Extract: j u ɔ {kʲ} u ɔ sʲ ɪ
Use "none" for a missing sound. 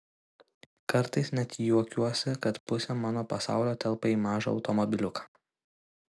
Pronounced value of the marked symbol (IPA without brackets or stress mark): kʲ